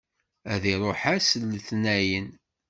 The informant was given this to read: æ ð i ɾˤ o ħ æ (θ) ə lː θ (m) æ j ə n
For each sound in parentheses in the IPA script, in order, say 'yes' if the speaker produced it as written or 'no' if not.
no, no

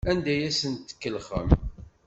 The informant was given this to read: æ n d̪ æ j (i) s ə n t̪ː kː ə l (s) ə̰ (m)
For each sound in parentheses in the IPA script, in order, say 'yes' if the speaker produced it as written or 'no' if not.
no, no, yes

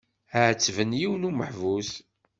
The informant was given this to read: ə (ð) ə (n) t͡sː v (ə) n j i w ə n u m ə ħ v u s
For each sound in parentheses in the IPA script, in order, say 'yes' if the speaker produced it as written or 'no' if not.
no, no, yes

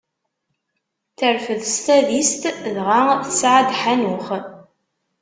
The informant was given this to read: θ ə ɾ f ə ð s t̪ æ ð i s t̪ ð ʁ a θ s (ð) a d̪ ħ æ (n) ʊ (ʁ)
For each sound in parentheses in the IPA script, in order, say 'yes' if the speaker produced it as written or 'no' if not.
no, yes, no

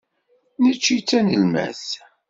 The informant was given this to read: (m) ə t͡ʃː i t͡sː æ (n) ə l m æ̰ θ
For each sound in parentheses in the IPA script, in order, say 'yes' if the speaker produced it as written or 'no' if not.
no, yes

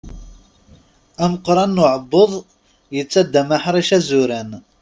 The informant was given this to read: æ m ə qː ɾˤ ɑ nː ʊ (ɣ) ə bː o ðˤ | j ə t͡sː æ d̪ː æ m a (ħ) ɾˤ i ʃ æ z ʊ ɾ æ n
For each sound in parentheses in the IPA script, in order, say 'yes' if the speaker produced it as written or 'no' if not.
no, yes

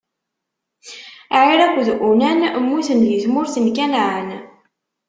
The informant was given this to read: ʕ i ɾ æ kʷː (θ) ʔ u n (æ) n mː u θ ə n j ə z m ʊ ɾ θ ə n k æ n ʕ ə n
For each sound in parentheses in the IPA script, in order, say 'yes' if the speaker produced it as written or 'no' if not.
no, yes

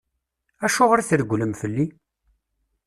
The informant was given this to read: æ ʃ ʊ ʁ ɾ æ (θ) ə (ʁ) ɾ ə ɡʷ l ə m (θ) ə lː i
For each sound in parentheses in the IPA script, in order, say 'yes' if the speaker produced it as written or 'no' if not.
yes, no, no

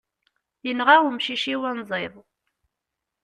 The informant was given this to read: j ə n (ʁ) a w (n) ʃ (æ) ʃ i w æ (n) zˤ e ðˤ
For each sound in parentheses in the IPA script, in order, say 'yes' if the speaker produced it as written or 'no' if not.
yes, no, no, yes

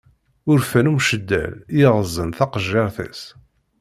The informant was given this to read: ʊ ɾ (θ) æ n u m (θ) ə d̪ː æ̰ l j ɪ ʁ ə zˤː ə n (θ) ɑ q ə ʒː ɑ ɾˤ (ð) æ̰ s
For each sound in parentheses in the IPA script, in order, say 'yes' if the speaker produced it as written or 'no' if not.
no, no, yes, no

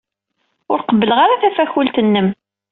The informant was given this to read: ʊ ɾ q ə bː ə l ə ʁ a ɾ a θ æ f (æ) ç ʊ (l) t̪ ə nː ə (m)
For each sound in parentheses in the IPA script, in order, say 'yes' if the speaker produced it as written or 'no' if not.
yes, yes, yes

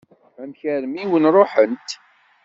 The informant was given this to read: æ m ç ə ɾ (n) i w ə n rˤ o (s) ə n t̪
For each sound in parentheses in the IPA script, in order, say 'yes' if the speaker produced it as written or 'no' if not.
no, no

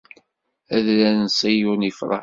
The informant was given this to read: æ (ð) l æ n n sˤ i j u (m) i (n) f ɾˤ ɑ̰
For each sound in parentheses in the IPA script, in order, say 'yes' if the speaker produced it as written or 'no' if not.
yes, no, no

